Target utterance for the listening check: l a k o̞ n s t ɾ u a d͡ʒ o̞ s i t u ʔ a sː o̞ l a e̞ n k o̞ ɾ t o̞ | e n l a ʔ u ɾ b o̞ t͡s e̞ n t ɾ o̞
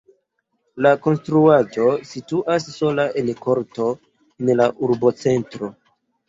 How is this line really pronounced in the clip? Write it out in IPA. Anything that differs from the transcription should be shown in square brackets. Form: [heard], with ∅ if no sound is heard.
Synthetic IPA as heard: l a k o̞ n s t ɾ u a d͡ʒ o̞ s i t u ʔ a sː o̞ l a e̞ n k o̞ ɾ t o̞ | e n l a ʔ u ɾ b o̞ t͡s e̞ n t ɾ o̞

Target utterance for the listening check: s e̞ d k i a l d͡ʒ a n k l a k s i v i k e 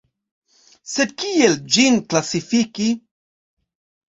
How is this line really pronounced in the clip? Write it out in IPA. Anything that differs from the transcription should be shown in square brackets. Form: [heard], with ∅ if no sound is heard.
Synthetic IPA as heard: s e̞ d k i [e] l d͡ʒ [i] n k l a [∅] s i [f] i k [i]

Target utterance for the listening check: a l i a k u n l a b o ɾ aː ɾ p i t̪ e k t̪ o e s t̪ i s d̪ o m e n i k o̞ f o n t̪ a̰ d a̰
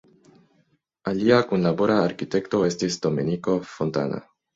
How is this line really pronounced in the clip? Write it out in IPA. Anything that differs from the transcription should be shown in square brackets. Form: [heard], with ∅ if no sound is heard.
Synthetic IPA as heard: a l i a k u n l a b o ɾ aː ɾ [k] i t̪ e k t̪ o e s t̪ i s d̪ o m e n i k o̞ f o n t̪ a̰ [n] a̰

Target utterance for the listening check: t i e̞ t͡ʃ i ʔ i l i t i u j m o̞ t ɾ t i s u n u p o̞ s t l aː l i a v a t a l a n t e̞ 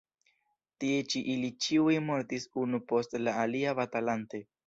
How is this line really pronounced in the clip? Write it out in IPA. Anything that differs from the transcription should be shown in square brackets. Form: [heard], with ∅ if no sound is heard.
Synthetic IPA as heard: t i e̞ t͡ʃ i ʔ i l i [t͡ʃ] i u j m o̞ [∅] ɾ t i s u n u p o̞ s t l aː l i a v a t a l a n t e̞

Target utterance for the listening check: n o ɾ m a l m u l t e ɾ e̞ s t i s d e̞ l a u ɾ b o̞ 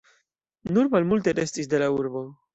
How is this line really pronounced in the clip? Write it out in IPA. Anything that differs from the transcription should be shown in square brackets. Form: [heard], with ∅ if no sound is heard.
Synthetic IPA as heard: n [u] ɾ m a l m u l t e ɾ e̞ s t i s d e̞ l a u ɾ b o̞

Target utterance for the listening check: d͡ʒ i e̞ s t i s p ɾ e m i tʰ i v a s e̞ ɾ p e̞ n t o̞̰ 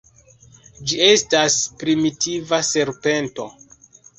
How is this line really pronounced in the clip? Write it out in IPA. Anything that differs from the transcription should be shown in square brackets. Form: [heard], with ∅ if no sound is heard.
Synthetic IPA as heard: d͡ʒ i e̞ s t [a] s p ɾ [i] m i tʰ i v a s e̞ ɾ p e̞ n t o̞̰

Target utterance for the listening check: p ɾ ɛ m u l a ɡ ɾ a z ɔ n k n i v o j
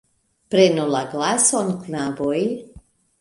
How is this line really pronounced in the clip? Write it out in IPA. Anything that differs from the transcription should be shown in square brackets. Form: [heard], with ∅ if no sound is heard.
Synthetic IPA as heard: p ɾ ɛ [n] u l a ɡ [l] a [s] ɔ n k n [a] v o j

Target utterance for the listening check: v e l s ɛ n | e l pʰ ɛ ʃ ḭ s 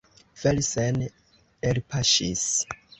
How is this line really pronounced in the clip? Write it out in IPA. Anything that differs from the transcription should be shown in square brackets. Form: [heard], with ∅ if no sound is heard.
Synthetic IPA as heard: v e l s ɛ n | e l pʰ [a] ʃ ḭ s

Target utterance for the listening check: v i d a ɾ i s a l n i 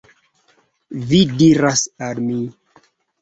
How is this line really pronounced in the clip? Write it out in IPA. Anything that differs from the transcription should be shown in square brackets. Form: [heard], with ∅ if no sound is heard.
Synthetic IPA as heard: v i d [i] ɾ [a] s a l [m] i

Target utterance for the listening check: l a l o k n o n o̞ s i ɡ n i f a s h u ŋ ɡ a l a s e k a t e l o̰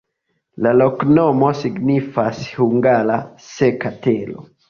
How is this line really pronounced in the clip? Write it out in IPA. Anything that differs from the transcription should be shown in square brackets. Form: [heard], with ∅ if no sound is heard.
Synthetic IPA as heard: l a l o k n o [m] o̞ s i ɡ n i f a s h u ŋ ɡ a l a s e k a t e l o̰

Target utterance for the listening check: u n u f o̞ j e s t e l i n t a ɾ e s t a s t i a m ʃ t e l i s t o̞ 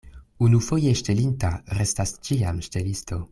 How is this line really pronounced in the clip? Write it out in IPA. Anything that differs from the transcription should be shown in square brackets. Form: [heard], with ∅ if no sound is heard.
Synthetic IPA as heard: u n u f o̞ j e [ʃ] t e l i n t a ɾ e s t a s [t͡ʃ] i a m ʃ t e l i s t o̞

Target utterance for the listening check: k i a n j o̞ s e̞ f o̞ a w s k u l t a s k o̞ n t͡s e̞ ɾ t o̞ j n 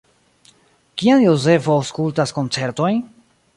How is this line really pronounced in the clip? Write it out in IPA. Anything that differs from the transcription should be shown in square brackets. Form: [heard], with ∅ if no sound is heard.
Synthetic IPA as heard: k i a n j o̞ [z] e̞ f o̞ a w s k u l t a s k o̞ n t͡s e̞ ɾ t o̞ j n

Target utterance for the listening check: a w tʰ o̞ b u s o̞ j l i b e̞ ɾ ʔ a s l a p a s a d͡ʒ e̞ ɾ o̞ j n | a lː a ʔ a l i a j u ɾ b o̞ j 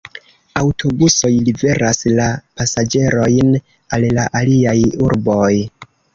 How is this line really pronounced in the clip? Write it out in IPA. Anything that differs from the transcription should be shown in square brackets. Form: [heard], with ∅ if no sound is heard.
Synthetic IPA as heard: a w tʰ o̞ b u s o̞ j l i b e̞ ɾ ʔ a s l a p a s a d͡ʒ e̞ ɾ o̞ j n | a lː a ʔ a l i a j u ɾ b o̞ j

